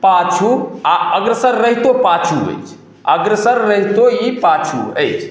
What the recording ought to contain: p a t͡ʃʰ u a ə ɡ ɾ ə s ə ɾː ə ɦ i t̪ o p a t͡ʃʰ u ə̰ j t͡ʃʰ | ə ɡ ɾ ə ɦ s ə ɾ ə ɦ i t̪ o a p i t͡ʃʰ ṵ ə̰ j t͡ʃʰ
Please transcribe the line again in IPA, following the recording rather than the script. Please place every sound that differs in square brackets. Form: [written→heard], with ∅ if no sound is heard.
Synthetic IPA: p a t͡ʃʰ u a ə ɡ ɾ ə s ə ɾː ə ɦ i t̪ o p a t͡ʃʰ u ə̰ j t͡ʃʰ | ə ɡ ɾ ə [ɦ→∅] s ə [ɾ→ɾː] ə ɦ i t̪ o [a→i] p [i→a] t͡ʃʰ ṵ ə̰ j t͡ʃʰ